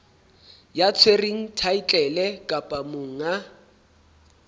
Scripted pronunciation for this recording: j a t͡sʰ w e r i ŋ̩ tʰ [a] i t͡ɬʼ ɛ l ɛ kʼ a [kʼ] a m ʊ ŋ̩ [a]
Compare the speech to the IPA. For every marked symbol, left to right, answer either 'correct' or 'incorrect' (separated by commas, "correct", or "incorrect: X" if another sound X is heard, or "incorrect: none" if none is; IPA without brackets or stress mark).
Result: correct, incorrect: pʼ, correct